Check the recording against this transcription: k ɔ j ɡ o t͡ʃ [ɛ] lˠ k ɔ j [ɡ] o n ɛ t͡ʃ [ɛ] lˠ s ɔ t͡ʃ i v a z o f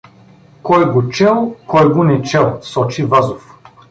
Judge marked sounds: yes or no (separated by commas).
yes, yes, yes